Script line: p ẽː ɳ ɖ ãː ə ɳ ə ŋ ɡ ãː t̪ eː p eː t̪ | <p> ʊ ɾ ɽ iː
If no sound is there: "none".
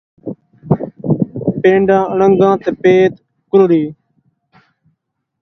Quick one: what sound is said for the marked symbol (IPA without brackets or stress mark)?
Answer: k